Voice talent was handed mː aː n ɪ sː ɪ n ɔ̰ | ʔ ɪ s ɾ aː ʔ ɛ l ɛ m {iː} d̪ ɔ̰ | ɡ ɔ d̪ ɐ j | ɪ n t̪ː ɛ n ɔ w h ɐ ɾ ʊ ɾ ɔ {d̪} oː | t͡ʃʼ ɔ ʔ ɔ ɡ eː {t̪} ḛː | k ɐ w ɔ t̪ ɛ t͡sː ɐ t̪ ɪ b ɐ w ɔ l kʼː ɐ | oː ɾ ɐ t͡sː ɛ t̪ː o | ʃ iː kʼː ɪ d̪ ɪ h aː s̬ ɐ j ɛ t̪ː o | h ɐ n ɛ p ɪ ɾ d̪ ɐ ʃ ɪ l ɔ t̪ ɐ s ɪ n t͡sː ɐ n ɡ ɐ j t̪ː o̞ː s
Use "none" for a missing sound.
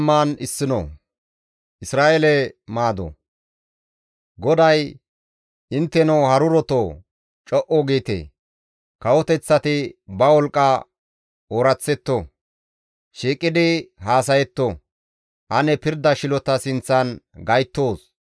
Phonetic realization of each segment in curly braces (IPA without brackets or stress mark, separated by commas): aː, t̪, t̪